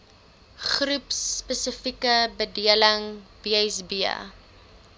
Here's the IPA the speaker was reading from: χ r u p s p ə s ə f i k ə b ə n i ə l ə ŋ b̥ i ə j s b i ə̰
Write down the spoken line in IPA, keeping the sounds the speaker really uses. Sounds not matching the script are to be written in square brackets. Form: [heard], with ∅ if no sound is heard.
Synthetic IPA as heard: χ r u p s p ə s ə f i k ə b ə [d] i ə l ə ŋ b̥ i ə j s b i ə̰

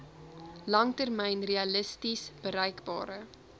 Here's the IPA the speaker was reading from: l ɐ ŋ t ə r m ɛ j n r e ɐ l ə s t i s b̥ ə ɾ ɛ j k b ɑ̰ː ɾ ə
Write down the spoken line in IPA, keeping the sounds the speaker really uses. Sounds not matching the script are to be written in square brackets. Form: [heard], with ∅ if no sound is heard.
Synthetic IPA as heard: l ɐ ŋ t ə r m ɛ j n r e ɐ l ə s t i s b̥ ə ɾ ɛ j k b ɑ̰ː ɾ ə

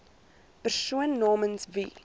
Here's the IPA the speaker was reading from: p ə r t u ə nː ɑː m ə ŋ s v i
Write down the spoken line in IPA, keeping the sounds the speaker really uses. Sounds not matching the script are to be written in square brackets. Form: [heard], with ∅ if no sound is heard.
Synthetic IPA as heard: p ə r [s] u ə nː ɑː m ə [n] s v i

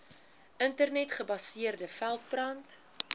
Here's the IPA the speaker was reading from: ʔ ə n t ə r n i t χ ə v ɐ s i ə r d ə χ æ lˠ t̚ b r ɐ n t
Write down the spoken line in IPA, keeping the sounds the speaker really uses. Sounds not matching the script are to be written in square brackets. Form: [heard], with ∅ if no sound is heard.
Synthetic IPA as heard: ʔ ə n t ə r n [ɛ] t χ ə [b] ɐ s i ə r d ə [f] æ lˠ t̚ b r ɐ n t

